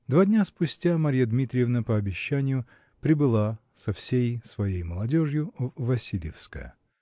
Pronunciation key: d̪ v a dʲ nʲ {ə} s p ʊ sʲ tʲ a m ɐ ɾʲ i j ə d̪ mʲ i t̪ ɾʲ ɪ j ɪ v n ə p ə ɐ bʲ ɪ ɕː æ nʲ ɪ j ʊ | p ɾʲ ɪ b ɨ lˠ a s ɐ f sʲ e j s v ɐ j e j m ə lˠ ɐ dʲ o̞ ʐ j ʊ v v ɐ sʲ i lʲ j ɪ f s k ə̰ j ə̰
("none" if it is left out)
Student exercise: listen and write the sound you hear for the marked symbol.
a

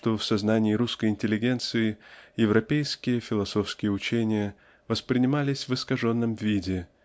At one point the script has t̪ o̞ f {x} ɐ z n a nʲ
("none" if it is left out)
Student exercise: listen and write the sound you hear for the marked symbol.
s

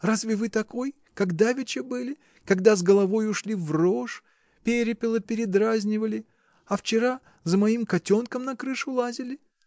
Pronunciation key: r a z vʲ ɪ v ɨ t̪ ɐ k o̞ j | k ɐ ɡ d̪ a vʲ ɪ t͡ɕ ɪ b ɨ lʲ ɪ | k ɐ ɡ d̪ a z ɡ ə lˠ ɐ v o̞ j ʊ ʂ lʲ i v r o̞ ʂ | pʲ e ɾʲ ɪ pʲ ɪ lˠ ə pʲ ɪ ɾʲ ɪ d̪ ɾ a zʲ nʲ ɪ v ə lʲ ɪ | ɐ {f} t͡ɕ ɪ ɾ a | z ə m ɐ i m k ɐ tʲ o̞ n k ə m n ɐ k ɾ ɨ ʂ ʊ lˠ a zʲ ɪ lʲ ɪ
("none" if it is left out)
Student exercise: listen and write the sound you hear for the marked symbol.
f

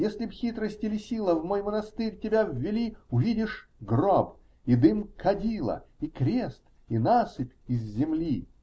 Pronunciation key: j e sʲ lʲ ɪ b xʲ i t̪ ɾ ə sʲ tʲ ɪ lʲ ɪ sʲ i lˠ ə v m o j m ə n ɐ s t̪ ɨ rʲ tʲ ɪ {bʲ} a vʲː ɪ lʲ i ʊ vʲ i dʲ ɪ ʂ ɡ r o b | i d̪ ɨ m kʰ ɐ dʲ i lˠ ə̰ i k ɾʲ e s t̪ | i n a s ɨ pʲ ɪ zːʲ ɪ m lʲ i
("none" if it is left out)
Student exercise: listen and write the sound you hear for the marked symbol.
bʲ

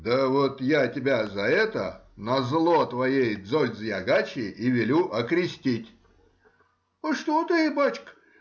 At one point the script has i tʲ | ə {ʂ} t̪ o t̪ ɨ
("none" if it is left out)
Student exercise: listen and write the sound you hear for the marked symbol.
ʂ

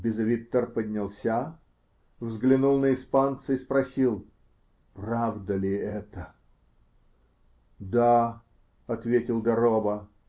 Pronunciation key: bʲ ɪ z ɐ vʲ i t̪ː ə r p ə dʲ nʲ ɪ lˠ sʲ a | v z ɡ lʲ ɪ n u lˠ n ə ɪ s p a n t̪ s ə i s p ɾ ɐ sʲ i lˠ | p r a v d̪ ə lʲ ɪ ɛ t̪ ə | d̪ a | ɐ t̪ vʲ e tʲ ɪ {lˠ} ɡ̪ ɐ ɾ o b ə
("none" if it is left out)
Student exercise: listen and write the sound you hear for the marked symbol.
lˠ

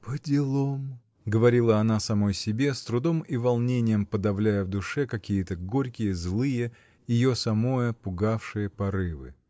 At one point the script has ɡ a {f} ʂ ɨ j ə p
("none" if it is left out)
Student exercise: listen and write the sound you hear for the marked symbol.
f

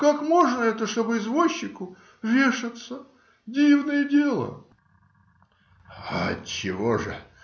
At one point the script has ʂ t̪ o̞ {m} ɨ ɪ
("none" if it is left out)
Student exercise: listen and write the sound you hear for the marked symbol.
b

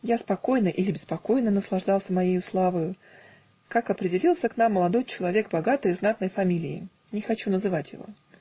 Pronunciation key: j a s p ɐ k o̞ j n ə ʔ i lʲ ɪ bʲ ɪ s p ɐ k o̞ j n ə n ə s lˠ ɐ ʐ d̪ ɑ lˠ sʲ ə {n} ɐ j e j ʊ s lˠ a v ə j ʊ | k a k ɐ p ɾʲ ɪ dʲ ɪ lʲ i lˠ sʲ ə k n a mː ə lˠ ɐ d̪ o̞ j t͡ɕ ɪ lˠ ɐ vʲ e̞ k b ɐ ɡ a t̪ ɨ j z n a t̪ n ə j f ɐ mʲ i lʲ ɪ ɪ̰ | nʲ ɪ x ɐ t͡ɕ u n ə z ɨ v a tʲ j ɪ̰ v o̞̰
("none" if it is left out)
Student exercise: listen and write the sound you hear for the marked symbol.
m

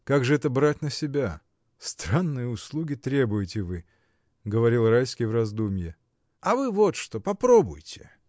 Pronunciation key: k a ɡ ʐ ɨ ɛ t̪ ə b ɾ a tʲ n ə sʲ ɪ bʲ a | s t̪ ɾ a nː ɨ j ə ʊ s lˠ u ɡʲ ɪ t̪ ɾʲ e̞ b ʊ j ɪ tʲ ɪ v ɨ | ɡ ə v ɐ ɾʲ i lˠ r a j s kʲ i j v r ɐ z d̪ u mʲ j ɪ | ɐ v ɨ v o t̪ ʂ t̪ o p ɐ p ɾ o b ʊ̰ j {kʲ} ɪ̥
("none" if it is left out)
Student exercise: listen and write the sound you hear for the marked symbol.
tʲ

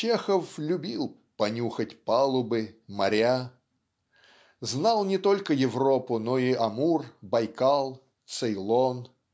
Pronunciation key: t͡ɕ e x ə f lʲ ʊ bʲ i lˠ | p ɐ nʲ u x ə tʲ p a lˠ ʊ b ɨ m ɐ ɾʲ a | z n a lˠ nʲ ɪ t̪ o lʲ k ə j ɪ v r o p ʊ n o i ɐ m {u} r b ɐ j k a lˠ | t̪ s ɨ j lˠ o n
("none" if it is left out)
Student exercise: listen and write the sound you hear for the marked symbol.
u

